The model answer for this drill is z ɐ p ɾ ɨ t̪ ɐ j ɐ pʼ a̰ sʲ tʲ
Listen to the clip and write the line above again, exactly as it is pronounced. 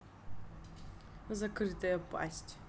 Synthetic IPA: z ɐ k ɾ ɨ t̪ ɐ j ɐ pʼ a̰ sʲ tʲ